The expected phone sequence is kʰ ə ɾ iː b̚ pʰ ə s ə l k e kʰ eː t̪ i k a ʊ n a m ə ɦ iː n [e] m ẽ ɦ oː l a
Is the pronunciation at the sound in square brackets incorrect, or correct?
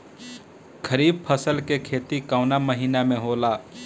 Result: incorrect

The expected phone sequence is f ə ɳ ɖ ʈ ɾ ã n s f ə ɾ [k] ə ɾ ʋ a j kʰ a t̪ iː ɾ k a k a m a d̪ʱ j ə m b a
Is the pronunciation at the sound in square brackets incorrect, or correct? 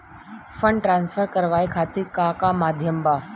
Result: correct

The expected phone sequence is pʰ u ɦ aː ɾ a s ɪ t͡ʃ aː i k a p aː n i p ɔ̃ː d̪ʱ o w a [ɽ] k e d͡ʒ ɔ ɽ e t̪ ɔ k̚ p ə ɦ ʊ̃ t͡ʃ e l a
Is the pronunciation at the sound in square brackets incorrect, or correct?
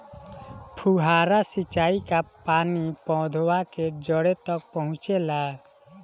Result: incorrect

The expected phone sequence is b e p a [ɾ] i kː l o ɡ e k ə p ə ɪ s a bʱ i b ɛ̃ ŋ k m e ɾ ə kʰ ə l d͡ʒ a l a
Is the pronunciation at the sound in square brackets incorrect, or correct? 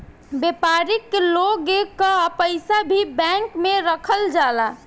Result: correct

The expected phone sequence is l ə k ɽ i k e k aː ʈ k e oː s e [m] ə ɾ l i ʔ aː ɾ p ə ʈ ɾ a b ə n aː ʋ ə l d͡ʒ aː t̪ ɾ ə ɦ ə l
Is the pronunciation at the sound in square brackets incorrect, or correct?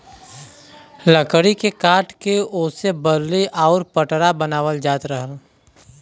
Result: incorrect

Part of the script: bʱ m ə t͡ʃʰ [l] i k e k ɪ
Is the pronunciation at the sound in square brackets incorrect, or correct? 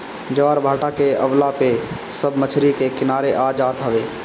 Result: incorrect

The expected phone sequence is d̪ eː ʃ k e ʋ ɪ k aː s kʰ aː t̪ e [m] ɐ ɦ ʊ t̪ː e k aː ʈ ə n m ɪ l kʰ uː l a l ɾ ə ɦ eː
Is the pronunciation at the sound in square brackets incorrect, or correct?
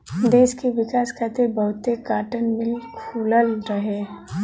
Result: incorrect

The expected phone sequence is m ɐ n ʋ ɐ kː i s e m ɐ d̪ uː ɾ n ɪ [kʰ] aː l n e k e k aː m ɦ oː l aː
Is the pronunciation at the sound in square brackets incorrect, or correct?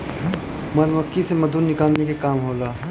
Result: incorrect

